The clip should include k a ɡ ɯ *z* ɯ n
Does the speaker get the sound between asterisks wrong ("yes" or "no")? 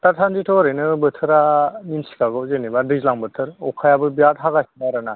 no